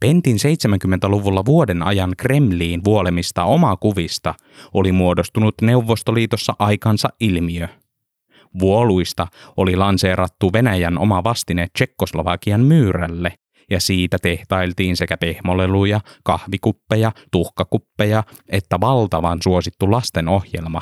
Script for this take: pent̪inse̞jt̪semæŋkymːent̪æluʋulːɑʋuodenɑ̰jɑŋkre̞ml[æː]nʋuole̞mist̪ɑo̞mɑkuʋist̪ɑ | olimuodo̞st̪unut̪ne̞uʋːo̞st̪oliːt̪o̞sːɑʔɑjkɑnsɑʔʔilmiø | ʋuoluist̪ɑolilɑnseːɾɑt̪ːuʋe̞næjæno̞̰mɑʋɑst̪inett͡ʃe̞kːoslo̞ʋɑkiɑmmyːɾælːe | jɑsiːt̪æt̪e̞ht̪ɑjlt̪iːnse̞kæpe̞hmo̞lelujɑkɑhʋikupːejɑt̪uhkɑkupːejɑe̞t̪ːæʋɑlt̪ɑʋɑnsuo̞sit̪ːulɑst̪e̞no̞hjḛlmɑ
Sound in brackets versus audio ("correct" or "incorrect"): incorrect